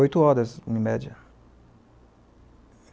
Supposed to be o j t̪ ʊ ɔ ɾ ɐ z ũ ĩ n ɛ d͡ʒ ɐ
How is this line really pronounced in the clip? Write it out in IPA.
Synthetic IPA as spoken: o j t̪ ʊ ɔ ɾ ɐ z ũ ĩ m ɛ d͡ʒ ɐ